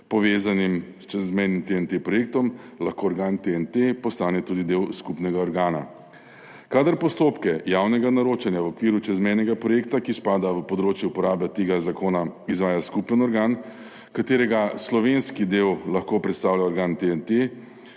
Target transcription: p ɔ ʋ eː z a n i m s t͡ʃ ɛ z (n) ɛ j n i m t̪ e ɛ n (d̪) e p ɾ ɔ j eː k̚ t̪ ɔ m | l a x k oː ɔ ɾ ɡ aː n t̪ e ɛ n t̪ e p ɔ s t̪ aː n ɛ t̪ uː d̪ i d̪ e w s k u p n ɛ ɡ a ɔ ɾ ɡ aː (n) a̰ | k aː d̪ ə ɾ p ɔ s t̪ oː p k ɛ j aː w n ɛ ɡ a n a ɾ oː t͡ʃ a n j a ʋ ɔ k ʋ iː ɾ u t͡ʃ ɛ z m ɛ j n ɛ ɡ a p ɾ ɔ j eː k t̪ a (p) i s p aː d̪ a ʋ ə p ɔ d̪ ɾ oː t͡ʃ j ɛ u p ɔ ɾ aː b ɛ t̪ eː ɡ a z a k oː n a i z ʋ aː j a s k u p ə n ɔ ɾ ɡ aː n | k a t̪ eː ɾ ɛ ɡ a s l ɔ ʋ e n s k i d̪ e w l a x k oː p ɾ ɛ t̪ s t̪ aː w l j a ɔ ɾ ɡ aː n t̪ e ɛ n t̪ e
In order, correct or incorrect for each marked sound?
incorrect: m, incorrect: t̪, correct, incorrect: k

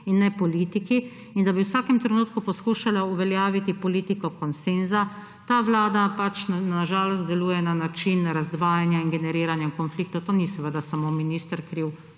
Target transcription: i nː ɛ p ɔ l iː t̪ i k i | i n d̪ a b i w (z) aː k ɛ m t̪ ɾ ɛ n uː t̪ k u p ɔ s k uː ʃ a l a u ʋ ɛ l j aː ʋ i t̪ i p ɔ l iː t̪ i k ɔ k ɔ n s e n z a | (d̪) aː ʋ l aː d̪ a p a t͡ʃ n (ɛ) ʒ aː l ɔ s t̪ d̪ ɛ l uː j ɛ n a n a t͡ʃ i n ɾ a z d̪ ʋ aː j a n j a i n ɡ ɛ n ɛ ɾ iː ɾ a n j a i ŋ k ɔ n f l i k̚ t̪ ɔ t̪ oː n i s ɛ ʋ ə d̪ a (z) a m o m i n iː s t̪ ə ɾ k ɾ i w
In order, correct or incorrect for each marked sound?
incorrect: s, incorrect: t̪, incorrect: a, incorrect: s

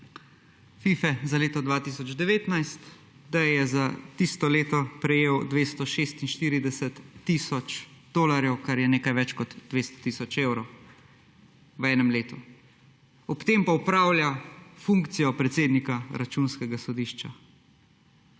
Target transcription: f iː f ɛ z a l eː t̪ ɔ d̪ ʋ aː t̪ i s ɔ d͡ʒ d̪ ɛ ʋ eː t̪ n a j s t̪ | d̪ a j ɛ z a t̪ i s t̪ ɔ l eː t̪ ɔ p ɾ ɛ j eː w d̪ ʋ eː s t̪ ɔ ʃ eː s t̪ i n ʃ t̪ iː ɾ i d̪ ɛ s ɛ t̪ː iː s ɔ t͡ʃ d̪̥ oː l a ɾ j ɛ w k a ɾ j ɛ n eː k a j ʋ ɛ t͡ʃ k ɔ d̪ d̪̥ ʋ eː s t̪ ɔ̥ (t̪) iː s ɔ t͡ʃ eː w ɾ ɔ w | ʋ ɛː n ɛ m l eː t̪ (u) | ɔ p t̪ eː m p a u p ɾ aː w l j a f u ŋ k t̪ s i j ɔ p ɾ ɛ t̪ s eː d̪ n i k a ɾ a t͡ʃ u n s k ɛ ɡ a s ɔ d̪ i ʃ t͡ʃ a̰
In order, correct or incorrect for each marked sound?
correct, correct

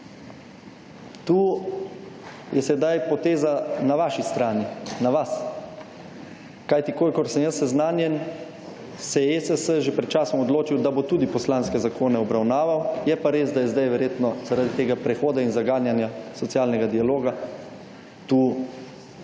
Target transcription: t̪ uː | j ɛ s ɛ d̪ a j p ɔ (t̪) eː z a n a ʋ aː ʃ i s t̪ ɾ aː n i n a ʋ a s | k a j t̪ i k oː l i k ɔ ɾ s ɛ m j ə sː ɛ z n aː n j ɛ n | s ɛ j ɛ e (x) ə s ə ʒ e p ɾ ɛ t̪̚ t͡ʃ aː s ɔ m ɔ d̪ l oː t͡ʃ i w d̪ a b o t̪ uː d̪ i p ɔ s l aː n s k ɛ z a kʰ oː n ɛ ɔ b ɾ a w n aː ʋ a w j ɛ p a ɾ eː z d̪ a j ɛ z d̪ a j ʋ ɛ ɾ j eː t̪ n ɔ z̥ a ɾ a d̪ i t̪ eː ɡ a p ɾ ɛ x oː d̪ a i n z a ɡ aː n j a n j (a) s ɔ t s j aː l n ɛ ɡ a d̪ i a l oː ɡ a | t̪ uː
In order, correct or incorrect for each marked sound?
correct, incorrect: s, correct

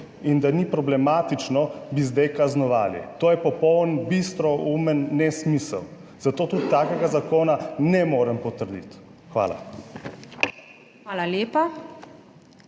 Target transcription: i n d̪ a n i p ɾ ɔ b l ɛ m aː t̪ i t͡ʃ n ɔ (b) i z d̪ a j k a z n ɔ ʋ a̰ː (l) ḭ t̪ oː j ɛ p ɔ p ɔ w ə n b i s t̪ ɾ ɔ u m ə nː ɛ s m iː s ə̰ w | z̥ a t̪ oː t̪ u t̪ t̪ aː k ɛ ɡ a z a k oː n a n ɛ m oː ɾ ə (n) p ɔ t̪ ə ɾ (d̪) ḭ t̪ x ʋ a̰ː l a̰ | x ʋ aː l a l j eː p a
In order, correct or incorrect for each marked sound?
correct, correct, incorrect: m, correct

